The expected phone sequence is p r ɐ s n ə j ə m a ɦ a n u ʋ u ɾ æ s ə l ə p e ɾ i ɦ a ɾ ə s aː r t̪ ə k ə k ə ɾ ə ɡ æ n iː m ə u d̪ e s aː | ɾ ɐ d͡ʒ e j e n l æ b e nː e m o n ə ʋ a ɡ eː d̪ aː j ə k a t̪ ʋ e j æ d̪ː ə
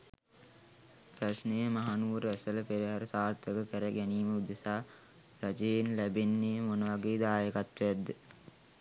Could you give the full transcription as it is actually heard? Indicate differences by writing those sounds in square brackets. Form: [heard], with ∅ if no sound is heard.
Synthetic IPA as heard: p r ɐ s n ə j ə m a ɦ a n u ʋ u ɾ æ s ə l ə p e ɾ i ɦ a ɾ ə s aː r t̪ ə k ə k ə ɾ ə ɡ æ n iː m ə u d̪ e s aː | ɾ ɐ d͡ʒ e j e n l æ b e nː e m o n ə ʋ a ɡ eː d̪ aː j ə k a t̪ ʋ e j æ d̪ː ə